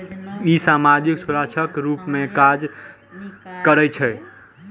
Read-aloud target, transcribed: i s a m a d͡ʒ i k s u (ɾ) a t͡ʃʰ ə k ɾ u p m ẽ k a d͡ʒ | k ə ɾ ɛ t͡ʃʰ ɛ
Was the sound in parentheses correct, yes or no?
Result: yes